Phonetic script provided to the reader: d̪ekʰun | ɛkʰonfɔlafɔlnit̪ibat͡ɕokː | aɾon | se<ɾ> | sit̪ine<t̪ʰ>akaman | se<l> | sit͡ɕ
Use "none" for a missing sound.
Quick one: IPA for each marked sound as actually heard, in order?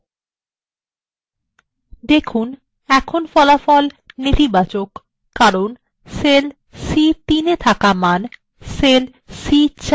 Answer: l, t̪ʰ, l

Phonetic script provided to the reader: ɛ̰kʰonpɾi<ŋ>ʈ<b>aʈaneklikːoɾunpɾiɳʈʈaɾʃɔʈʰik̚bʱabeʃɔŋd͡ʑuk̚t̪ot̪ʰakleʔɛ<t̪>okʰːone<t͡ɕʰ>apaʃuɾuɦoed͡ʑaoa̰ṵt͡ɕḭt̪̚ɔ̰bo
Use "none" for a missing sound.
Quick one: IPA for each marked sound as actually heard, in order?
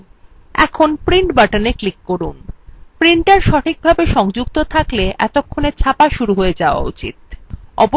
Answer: ɳ, b, t̪, t͡ɕʰ

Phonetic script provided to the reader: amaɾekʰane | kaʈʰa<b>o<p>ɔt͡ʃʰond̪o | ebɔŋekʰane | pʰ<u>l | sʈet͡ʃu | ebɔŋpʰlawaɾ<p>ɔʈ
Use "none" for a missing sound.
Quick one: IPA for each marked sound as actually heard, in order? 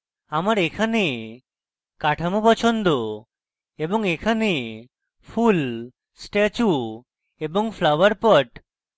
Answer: m, p, u, p

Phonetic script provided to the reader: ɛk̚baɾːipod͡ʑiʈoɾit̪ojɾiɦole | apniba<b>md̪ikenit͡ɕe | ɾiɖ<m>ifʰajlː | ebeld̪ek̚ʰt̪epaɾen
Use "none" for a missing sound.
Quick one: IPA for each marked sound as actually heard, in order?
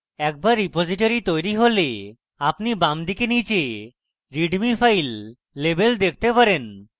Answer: none, m

